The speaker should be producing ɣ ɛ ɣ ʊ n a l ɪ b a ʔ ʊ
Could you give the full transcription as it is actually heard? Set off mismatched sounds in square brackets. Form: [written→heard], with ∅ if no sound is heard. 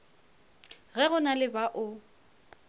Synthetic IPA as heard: ɣ ɛ ɣ ʊ n a l ɪ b a ʔ ʊ